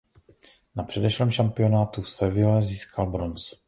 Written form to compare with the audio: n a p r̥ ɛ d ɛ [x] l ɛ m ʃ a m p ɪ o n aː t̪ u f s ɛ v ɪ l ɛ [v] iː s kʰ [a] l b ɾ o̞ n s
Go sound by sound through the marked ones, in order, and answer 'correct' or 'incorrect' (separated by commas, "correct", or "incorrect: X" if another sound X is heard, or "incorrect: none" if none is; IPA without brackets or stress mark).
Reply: incorrect: ʃ, incorrect: z, correct